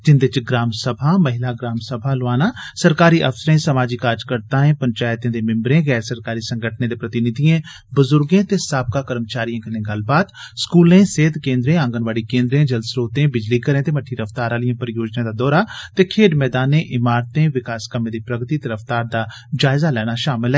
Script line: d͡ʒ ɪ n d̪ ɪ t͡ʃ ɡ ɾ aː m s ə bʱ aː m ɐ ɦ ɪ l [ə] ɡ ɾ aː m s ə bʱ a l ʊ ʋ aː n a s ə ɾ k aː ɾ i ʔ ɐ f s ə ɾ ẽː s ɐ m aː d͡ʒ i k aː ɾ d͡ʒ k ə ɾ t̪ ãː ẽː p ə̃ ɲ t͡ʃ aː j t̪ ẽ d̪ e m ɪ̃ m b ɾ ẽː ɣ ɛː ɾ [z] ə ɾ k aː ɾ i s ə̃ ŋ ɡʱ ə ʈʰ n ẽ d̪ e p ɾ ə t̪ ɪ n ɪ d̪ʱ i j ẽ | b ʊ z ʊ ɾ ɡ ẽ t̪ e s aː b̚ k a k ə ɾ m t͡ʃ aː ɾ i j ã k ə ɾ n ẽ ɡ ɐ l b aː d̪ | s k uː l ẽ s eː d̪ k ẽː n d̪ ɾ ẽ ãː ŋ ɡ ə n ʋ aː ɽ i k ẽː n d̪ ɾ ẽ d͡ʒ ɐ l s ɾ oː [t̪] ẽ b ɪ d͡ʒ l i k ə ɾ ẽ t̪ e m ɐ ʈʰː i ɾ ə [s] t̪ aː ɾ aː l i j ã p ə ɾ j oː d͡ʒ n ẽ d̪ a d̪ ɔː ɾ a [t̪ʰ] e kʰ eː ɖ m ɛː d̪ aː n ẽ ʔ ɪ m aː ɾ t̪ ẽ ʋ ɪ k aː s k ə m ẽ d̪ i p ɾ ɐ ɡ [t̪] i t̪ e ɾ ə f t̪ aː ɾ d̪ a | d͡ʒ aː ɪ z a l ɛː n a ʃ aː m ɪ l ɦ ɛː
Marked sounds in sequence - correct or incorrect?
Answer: incorrect: a, incorrect: s, correct, incorrect: f, incorrect: t̪, correct

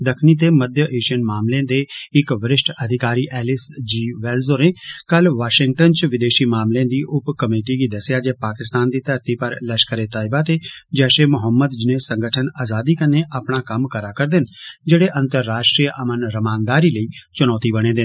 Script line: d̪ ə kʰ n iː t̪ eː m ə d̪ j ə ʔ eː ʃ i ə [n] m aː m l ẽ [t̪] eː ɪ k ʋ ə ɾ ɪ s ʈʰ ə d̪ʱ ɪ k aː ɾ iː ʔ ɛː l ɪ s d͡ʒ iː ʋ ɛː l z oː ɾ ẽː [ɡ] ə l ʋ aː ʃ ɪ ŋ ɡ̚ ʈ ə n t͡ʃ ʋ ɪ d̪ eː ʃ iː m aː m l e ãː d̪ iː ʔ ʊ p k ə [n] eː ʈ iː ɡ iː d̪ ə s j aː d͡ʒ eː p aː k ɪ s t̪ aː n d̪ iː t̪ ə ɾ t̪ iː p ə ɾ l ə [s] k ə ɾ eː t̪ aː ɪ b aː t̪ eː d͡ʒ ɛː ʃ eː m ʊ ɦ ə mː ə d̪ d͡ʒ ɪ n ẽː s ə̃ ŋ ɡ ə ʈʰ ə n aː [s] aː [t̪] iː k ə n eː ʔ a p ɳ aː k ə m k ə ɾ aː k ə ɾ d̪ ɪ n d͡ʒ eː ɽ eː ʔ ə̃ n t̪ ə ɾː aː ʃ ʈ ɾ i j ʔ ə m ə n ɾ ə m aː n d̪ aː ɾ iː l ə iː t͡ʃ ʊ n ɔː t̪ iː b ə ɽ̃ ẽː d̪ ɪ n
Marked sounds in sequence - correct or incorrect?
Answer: correct, incorrect: d̪, incorrect: k, incorrect: m, incorrect: ʃ, incorrect: z, incorrect: d̪

